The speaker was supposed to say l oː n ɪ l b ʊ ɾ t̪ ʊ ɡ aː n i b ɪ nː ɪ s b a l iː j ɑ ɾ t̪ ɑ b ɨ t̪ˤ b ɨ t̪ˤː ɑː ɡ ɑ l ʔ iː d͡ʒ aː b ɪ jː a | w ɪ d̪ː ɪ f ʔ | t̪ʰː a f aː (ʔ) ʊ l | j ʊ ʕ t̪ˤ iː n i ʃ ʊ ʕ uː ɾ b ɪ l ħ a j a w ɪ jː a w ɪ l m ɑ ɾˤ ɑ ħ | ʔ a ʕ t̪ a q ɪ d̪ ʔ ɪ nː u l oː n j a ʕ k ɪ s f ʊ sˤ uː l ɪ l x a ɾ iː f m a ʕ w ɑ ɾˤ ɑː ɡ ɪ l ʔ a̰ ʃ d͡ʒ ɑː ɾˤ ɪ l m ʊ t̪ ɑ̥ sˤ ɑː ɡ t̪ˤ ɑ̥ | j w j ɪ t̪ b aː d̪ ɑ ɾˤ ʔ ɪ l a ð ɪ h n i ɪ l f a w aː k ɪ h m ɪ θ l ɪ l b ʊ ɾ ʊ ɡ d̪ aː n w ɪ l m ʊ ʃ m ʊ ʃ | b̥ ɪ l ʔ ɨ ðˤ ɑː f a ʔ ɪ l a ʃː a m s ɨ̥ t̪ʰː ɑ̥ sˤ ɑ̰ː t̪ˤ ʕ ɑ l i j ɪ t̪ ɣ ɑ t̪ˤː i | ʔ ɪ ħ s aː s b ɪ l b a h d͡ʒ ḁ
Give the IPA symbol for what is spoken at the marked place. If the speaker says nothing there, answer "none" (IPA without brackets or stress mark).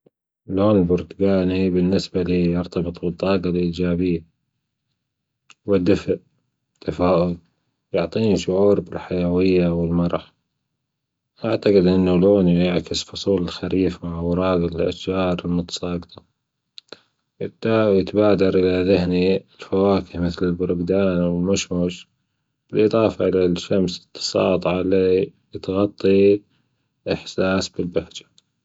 ʔ